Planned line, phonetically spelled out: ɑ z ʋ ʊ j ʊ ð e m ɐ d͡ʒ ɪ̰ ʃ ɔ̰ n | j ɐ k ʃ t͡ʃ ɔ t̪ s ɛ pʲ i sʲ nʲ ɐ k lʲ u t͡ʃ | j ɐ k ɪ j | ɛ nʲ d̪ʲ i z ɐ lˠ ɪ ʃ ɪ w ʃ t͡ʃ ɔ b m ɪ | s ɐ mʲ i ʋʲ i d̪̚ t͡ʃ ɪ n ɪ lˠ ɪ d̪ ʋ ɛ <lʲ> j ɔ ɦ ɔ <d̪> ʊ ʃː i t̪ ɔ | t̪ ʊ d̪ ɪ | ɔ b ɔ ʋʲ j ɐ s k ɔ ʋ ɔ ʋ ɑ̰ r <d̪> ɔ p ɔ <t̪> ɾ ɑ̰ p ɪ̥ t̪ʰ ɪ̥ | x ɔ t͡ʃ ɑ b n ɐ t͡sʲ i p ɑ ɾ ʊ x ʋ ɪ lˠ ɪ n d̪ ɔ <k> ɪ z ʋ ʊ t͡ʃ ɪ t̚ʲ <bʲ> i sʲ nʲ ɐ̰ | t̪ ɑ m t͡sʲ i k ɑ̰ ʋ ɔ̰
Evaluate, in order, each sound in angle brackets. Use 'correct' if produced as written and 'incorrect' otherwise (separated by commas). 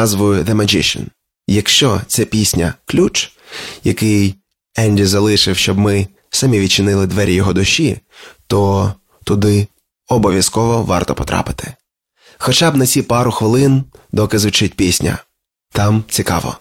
incorrect, correct, incorrect, correct, correct, incorrect